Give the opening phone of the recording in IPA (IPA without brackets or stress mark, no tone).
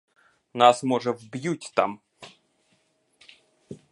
n